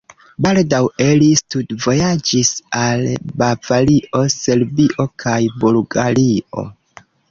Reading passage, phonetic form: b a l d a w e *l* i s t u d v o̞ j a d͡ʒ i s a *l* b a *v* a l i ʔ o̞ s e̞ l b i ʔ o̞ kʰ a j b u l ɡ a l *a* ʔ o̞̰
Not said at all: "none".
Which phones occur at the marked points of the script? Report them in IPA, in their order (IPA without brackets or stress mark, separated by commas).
l, l, v, i